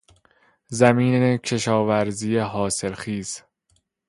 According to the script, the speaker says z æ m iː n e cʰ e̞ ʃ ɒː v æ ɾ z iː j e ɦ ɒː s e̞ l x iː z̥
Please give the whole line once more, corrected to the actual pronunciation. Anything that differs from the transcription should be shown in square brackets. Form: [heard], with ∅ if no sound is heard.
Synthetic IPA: z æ m iː n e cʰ e̞ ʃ ɒː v æ ɾ z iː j e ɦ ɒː s e̞ l x iː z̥